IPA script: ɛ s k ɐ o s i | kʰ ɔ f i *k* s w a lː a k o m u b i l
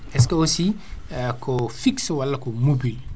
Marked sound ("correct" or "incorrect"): correct